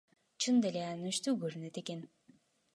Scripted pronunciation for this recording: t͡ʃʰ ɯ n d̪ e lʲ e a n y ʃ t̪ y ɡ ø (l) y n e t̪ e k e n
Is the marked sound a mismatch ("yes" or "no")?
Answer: yes